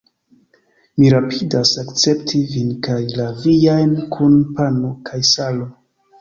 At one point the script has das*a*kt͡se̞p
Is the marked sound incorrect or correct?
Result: correct